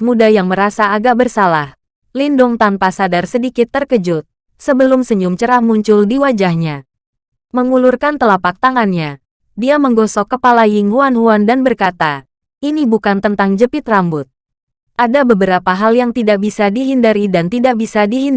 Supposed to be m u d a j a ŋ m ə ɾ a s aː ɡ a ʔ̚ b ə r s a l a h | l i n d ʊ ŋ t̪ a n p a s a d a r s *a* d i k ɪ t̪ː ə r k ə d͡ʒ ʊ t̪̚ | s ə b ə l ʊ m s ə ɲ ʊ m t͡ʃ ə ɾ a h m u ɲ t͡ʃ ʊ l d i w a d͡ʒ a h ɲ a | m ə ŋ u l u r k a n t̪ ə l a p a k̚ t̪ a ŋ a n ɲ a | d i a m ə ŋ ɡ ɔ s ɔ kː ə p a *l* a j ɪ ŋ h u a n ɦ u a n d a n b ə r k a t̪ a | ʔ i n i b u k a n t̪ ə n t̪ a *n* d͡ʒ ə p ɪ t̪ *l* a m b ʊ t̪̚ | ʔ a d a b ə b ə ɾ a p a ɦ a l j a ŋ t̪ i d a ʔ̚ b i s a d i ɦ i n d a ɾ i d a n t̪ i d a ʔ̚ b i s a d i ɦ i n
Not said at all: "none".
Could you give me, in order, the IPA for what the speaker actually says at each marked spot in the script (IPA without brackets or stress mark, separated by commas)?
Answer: ə, l, ŋ, r